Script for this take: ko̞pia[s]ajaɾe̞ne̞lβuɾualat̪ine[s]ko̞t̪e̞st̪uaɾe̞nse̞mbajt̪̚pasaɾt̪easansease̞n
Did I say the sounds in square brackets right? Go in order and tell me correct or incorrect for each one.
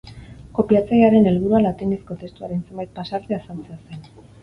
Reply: incorrect: t͡s, correct

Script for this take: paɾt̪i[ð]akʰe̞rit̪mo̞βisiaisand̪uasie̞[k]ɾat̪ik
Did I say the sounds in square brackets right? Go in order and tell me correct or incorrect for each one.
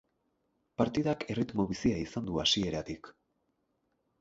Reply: correct, incorrect: none

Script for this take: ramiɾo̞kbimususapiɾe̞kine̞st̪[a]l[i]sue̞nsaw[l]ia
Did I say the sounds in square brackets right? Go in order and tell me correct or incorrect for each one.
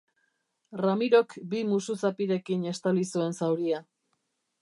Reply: correct, correct, incorrect: ɾ

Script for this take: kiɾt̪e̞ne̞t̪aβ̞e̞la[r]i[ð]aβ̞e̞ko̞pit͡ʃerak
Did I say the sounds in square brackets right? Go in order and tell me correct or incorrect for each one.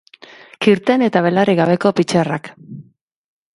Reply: correct, incorrect: ɣ

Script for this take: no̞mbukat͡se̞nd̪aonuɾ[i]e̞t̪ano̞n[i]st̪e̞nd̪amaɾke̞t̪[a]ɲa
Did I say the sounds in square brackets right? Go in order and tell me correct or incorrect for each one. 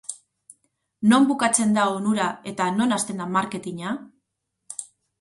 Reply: incorrect: a, incorrect: a, incorrect: i

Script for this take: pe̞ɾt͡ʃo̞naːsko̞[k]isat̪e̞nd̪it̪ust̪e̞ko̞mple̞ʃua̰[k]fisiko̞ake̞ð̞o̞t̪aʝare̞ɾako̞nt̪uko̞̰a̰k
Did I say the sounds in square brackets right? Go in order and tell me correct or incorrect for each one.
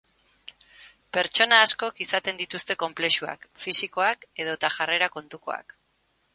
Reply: correct, correct

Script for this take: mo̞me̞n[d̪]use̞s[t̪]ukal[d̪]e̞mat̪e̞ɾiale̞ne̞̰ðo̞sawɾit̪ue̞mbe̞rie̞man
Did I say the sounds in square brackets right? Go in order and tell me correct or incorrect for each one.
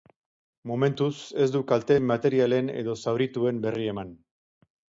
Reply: incorrect: t̪, incorrect: d̪, incorrect: t̪

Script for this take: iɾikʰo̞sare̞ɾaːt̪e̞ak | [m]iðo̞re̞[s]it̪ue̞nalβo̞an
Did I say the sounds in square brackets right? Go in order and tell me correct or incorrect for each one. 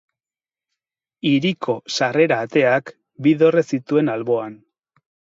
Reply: incorrect: b, correct

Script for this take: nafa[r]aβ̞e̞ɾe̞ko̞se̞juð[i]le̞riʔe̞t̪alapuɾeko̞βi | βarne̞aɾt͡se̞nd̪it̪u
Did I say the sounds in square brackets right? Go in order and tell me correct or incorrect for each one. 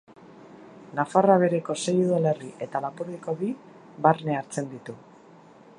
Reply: correct, incorrect: a

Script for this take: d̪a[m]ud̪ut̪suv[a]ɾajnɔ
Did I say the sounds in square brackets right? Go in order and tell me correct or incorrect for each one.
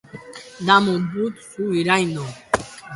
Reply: correct, incorrect: i

